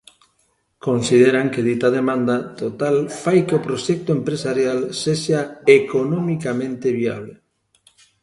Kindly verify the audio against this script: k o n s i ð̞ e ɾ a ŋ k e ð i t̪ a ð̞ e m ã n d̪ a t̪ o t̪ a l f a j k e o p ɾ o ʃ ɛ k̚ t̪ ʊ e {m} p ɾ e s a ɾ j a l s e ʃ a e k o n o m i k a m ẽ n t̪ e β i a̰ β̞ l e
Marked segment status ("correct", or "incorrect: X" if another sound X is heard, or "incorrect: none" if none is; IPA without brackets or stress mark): correct